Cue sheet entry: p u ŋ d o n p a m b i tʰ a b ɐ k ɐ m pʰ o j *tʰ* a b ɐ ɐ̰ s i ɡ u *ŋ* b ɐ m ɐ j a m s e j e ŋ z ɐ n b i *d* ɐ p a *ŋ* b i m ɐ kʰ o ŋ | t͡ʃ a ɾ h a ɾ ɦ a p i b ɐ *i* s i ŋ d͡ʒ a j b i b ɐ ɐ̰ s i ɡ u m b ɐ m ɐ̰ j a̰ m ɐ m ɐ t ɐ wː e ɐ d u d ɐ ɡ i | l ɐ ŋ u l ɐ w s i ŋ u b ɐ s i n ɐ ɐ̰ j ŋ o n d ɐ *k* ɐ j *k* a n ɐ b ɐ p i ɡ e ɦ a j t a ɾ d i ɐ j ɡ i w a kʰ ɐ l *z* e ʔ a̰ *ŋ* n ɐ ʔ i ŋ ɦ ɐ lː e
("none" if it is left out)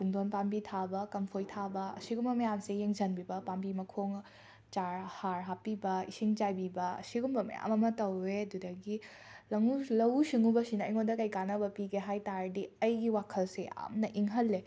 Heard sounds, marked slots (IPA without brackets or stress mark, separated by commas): tʰ, m, b, m, i, k, k, s, m